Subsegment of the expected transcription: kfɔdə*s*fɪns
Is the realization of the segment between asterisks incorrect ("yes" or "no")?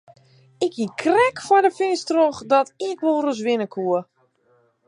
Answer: yes